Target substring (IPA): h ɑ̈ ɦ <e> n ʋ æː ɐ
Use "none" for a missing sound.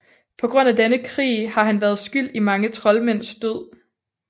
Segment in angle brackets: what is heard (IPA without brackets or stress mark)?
æ